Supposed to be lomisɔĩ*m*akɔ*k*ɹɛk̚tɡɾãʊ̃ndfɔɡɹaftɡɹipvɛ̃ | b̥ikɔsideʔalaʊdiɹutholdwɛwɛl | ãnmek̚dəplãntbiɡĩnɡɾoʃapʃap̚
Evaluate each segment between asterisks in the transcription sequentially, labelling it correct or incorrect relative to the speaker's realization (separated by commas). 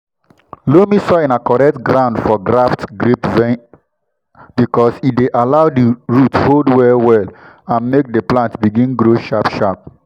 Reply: incorrect, incorrect